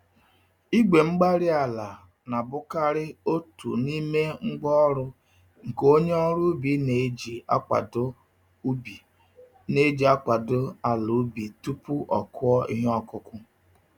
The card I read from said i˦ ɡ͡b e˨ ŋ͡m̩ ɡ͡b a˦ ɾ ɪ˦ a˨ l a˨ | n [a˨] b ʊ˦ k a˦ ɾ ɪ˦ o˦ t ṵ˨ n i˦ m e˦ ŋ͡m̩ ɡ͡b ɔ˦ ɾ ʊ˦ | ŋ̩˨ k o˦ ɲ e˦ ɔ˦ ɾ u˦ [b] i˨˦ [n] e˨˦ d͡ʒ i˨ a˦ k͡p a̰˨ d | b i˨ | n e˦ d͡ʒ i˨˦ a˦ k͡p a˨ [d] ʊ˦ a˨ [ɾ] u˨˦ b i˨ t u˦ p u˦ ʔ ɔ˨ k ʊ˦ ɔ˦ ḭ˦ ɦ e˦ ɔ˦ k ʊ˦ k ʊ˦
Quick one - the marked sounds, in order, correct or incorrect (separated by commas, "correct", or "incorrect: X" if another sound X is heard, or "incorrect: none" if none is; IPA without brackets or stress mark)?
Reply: correct, correct, correct, correct, incorrect: l